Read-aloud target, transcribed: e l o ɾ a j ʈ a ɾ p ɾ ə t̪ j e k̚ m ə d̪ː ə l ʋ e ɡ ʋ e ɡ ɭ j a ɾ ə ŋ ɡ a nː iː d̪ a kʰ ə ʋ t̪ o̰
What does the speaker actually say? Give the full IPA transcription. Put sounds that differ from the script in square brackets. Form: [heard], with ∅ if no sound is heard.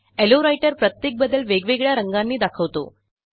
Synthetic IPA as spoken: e l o ɾ a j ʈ [ə] ɾ p ɾ ə t̪ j e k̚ [b] ə d̪ː ə l ʋ e ɡ ʋ e ɡ ɭ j a ɾ ə ŋ ɡ a nː iː d̪ a kʰ ə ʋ t̪ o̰